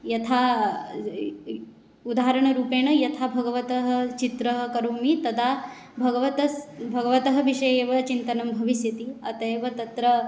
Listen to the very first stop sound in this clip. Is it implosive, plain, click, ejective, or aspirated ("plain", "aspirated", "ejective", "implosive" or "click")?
aspirated